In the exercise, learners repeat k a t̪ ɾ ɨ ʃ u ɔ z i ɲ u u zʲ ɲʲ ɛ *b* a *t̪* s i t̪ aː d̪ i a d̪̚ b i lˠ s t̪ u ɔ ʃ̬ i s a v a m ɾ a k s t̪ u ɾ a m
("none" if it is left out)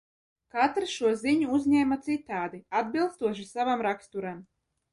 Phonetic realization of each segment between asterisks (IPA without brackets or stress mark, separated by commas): m, t̪